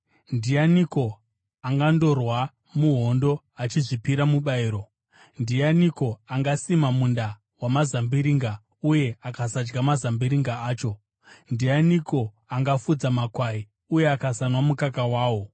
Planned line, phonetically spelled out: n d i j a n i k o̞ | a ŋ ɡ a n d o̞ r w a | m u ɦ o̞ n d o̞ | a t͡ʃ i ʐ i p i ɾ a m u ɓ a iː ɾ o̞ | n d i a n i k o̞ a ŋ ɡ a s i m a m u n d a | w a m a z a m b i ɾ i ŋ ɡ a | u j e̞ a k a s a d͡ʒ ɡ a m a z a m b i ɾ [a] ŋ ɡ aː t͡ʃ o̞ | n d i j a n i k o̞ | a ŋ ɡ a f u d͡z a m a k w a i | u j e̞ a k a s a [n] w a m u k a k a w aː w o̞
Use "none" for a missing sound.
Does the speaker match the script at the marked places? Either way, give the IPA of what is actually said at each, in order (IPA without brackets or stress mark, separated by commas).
i, n